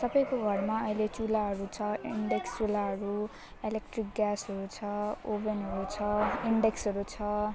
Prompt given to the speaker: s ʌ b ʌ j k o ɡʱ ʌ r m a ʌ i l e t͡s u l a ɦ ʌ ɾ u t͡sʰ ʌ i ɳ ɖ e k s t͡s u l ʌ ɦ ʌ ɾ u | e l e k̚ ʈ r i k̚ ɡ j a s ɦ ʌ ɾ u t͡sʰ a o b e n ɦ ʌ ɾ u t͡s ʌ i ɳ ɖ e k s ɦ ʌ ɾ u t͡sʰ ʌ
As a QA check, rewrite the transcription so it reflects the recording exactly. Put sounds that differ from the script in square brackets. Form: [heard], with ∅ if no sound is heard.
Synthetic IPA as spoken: s ʌ b ʌ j k o ɡʱ ʌ r m a ʌ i l e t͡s u l a ɦ ʌ ɾ u t͡sʰ ʌ i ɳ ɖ e k s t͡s u l [a] ɦ ʌ ɾ u | e l e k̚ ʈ r i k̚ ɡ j a s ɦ ʌ ɾ u t͡sʰ [ʌ] o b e n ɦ ʌ ɾ u [t͡sʰ] ʌ i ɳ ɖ e k s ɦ ʌ ɾ u t͡sʰ ʌ